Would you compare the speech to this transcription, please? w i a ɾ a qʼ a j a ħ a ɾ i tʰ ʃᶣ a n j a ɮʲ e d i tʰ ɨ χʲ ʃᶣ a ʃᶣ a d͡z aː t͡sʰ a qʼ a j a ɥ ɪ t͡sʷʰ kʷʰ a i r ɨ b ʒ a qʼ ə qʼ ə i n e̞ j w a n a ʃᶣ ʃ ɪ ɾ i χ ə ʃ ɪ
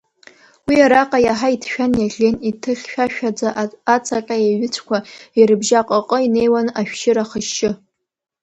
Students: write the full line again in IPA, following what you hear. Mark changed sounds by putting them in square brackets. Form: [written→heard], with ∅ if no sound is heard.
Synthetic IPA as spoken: w i a ɾ a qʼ a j a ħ a [ɾ→∅] i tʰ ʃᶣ a n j a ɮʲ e [d→n] i tʰ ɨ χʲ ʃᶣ a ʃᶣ a d͡z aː t͡sʰ a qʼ a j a ɥ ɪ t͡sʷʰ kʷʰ a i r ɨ b ʒ a qʼ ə qʼ ə i n e̞ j w a n a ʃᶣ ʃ ɪ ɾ [i→a] χ ə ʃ ɪ